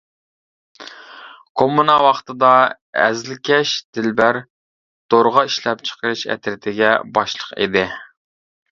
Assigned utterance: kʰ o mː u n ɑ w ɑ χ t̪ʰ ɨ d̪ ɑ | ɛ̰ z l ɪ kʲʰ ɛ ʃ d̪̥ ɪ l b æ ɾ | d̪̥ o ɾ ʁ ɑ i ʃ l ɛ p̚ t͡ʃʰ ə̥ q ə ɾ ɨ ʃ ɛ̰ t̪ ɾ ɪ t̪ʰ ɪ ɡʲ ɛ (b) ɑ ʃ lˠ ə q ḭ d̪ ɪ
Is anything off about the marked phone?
no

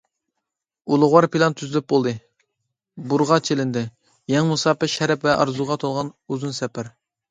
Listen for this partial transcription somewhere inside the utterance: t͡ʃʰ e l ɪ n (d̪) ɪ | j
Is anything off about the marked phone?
no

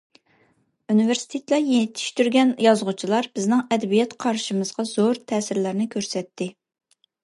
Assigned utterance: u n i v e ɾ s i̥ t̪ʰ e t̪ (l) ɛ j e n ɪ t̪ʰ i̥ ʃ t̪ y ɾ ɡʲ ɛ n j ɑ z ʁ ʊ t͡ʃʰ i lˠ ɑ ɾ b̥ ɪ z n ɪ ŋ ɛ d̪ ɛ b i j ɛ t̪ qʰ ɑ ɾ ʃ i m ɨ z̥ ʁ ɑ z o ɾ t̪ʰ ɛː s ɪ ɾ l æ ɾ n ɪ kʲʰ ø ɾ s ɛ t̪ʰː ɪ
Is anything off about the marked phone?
no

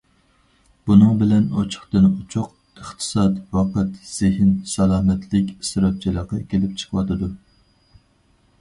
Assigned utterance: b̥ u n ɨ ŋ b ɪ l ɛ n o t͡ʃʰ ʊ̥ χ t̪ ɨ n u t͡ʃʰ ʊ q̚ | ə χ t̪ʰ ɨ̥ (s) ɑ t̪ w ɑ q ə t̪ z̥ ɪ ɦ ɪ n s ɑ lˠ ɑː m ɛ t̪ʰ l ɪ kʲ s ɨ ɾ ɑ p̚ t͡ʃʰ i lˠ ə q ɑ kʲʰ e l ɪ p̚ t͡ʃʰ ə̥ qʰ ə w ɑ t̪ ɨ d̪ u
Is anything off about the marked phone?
no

